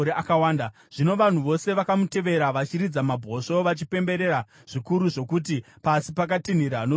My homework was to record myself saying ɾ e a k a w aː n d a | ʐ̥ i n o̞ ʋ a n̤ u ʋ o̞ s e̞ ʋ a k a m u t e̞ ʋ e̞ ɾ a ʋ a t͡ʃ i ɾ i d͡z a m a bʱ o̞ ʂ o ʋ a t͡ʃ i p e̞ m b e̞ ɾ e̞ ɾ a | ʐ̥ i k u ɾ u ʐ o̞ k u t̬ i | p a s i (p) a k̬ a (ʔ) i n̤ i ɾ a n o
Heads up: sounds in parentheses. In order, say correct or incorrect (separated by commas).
correct, incorrect